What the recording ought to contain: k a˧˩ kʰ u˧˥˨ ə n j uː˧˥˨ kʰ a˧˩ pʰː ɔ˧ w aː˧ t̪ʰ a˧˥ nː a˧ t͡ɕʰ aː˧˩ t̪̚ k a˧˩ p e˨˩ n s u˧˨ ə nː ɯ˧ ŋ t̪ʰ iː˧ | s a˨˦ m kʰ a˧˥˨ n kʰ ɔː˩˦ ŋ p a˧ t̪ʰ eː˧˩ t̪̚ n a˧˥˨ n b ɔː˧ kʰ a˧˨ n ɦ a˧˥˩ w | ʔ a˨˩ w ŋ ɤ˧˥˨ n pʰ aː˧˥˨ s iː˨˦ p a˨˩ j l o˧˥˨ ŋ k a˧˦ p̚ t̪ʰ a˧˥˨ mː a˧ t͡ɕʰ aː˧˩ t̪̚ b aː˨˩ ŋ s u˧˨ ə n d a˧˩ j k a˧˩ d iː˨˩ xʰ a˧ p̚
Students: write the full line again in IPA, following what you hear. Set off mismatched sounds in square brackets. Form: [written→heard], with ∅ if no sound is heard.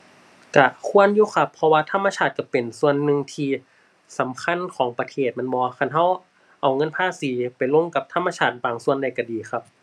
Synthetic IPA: k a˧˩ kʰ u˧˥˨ ə n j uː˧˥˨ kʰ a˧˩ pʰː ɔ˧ w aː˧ t̪ʰ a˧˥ [nː→mː] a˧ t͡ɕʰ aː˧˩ t̪̚ k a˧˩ p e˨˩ n s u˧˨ ə nː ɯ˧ ŋ t̪ʰ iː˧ | s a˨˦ m kʰ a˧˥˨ n kʰ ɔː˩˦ ŋ p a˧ t̪ʰ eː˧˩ t̪̚ [n→m] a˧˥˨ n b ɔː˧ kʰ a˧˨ n ɦ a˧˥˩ w | ʔ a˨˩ w ŋ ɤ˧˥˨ n pʰ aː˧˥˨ s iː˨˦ p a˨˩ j l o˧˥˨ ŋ k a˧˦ p̚ t̪ʰ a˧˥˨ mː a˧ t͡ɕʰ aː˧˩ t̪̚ b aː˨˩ ŋ s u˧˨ ə n d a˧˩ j k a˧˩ d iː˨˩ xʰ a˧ p̚

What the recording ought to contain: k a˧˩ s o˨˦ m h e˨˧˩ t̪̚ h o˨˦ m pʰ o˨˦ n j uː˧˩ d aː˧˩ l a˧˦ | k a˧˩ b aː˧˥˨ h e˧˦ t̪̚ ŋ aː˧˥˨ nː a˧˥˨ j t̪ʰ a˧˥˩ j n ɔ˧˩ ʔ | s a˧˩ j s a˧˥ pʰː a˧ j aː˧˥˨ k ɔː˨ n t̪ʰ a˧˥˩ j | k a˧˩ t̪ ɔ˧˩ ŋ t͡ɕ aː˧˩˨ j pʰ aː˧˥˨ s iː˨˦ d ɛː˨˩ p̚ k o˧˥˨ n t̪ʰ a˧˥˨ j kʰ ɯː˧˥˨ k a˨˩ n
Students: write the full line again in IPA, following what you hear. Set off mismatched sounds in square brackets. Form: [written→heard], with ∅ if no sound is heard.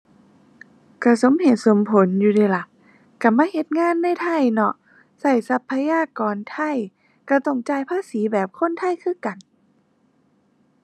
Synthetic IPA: k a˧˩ s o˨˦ m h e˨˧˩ t̪̚ [h→s] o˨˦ m pʰ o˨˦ n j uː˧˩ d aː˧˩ l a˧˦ | k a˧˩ [b→m] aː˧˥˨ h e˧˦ t̪̚ ŋ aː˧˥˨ nː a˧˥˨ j t̪ʰ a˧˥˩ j n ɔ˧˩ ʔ | s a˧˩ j s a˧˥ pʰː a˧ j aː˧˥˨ k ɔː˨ n t̪ʰ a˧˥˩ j | k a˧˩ t̪ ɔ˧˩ ŋ t͡ɕ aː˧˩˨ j pʰ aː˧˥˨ s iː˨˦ [d→b] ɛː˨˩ p̚ [k→kʰ] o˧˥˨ n t̪ʰ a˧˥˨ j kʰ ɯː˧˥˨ k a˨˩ n

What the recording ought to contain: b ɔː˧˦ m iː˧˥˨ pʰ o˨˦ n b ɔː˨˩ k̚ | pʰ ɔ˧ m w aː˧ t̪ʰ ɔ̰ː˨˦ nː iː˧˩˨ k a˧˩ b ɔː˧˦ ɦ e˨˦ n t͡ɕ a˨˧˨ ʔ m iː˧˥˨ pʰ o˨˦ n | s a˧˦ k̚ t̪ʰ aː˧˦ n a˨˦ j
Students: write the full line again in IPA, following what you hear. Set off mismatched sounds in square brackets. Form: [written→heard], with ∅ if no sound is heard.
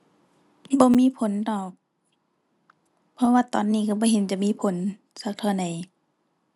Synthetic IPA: b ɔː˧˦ m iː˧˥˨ pʰ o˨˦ n [b→d] ɔː˨˩ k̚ | pʰ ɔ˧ [m→∅] w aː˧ [t̪ʰ→t̪] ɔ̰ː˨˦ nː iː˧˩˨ k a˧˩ b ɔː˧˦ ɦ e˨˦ n t͡ɕ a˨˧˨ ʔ m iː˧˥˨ pʰ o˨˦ n | s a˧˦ k̚ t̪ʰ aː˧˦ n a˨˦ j

